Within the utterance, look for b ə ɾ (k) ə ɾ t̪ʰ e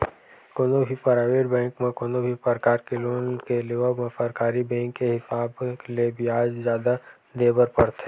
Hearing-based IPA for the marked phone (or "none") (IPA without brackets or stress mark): p